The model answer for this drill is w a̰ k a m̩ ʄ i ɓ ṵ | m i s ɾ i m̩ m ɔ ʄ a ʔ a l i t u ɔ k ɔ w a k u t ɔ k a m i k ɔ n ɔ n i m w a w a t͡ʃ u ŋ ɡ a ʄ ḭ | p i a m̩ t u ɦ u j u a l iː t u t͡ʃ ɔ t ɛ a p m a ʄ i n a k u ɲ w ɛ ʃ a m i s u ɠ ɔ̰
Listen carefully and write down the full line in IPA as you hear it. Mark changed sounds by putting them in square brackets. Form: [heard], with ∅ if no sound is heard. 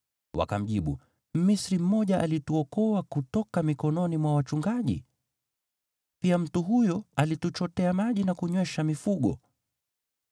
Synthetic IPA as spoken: w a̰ k a m̩ ʄ i ɓ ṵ | m i s ɾ i m̩ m ɔ ʄ a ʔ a l i t u ɔ k ɔ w a k u t ɔ k a m i k ɔ n ɔ n i m w a w a t͡ʃ u ŋ ɡ a ʄ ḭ | p i a m̩ t u ɦ u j [ɔ] a l [i] t u t͡ʃ ɔ t ɛ a [∅] m a ʄ i n a k u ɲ w ɛ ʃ a m i [f] u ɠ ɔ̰